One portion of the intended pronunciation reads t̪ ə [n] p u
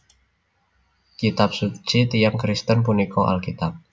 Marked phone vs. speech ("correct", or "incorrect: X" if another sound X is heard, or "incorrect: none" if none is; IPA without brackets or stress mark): correct